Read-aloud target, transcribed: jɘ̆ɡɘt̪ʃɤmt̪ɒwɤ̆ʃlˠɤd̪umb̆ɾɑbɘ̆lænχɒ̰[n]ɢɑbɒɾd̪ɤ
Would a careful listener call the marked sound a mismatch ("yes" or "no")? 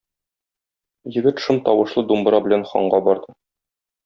yes